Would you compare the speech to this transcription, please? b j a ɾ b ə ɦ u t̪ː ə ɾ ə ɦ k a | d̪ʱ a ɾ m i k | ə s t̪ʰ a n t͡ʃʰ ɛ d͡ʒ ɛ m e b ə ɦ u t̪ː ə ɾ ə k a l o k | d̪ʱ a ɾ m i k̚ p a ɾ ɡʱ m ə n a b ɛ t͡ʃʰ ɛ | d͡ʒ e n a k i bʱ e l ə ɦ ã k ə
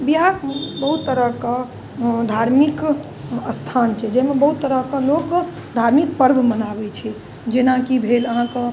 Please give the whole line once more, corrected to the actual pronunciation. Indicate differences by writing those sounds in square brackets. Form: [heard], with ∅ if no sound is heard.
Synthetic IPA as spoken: b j a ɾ b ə ɦ u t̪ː ə ɾ ə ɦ k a | d̪ʱ a ɾ m i k | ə s t̪ʰ a n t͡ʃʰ ɛ d͡ʒ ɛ m e b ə ɦ u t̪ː ə ɾ ə k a l o k | d̪ʱ a ɾ m i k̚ p [ə] ɾ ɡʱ m ə n a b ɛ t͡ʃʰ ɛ | d͡ʒ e n a k i bʱ e l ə ɦ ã k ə